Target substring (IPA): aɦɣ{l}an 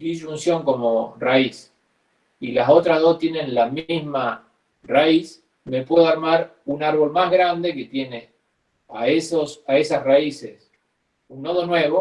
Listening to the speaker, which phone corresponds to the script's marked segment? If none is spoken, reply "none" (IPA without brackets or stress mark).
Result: ɾ